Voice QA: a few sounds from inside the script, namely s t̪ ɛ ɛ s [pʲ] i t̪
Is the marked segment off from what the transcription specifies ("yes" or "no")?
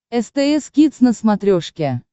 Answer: yes